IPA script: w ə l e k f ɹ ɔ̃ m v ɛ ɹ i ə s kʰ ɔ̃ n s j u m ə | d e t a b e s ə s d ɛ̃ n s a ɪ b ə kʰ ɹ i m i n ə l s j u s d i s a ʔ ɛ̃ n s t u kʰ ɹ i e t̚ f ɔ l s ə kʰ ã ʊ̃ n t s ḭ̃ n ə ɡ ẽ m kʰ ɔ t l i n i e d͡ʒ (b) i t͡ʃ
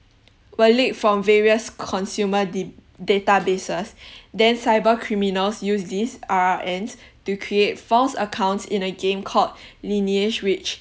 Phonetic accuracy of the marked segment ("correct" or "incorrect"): incorrect